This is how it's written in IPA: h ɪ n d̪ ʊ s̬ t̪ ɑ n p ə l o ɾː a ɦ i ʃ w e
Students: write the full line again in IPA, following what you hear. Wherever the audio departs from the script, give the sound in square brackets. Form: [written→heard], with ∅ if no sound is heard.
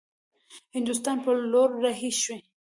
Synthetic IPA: h ɪ n d̪ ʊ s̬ t̪ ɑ n p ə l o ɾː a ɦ i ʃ w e